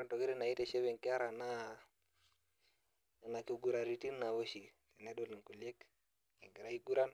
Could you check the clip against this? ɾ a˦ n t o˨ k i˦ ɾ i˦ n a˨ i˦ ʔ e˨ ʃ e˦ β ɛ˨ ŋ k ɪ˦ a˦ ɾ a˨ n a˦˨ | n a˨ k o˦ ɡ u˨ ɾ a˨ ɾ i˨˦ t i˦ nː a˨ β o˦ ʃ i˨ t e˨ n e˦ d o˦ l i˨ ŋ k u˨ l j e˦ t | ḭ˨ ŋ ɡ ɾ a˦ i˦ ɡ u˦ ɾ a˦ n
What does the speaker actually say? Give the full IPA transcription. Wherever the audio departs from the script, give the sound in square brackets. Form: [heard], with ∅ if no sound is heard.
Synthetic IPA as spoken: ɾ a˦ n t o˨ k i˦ ɾ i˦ n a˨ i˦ [t] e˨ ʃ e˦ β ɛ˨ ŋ k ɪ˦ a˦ ɾ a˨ n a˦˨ | n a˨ k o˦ ɡ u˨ ɾ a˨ ɾ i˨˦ t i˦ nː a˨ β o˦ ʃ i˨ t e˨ n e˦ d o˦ l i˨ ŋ k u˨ l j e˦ [k] | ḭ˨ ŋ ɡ ɾ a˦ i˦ ɡ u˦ ɾ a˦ n